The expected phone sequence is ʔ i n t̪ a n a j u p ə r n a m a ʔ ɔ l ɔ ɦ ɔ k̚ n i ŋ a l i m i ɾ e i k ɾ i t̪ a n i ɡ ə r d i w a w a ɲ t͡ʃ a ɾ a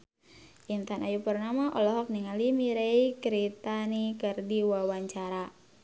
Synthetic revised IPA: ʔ i n t̪ a n a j u p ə r n a m a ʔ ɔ l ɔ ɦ ɔ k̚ n i ŋ a l i m i ɾ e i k ɾ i t̪ a n i k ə r d i w a w a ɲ t͡ʃ a ɾ a

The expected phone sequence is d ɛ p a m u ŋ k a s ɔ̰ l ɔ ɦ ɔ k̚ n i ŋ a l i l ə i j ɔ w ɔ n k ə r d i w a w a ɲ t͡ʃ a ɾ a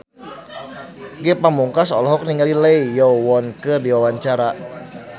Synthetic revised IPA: ɡ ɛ p a m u ŋ k a s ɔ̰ l ɔ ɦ ɔ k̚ n i ŋ a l i l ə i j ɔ w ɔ n k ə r d i w a w a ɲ t͡ʃ a ɾ a

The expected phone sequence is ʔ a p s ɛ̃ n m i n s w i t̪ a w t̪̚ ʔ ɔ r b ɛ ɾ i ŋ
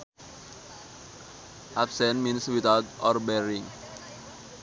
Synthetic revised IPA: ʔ a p s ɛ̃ n m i n s w i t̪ a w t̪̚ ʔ ɔ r b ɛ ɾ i ŋ

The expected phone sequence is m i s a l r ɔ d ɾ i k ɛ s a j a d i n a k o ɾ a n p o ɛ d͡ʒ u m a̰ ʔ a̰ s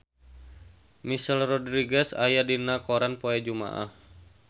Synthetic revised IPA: m i s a l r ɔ d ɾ i ɡ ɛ s a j a d i n a k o ɾ a n p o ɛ d͡ʒ u m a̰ ʔ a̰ h

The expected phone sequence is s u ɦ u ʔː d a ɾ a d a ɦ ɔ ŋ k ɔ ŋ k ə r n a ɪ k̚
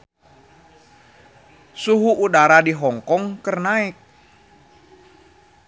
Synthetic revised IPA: s u ɦ u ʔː d a ɾ a d i ɦ ɔ ŋ k ɔ ŋ k ə r n a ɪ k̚

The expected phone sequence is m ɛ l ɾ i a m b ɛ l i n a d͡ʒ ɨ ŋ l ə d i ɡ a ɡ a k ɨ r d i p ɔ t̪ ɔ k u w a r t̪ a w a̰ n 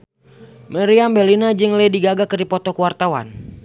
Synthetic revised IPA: m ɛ ɾ i a m b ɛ l i n a d͡ʒ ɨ ŋ l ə d i ɡ a ɡ a k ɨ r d i p ɔ t̪ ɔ k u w a r t̪ a w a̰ n

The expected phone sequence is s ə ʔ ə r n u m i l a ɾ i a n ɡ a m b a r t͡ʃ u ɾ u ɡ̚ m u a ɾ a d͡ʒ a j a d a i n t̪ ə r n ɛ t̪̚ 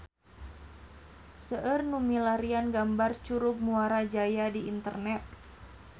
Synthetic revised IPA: s ə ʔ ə r n u m i l a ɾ i a n ɡ a m b a r t͡ʃ u ɾ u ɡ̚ m u a ɾ a d͡ʒ a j a d i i n t̪ ə r n ɛ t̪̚

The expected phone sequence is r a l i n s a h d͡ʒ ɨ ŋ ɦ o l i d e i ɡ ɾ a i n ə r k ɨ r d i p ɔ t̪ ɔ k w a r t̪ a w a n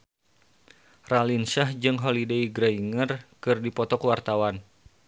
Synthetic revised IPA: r a l i n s a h d͡ʒ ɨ ŋ ɦ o l i d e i ɡ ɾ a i ŋ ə r k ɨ r d i p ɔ t̪ ɔ k w a r t̪ a w a n

